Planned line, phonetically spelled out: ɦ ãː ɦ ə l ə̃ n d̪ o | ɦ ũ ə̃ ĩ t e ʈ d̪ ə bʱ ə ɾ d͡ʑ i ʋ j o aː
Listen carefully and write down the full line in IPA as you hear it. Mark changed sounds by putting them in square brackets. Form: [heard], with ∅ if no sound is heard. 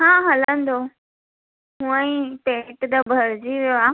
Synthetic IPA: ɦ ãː ɦ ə l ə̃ n d̪ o | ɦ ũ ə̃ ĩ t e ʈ d̪ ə bʱ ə ɾ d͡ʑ i ʋ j o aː